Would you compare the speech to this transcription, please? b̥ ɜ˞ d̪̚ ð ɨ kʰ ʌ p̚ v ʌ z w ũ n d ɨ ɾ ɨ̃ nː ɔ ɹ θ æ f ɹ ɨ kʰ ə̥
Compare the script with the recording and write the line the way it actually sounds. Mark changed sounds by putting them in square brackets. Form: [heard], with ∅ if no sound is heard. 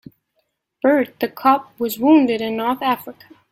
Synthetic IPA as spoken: b̥ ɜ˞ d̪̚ ð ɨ kʰ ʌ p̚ [w] ʌ z w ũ n d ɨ ɾ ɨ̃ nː ɔ ɹ θ æ f ɹ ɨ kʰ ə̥